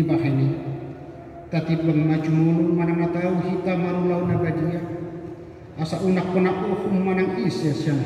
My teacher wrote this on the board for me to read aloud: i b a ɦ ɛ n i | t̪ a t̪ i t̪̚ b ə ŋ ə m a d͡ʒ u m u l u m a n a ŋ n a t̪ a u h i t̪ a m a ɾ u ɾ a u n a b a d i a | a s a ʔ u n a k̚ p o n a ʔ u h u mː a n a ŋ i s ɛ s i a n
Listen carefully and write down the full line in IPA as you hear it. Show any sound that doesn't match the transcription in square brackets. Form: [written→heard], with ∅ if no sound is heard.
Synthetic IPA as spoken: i b a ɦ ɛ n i | t̪ a t̪ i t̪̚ b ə ŋ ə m a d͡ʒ u m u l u m a n a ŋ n a t̪ a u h i t̪ a m a ɾ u [ɾ→l] a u n a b a d i a | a s a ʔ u n a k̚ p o n a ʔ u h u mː a n a ŋ i s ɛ s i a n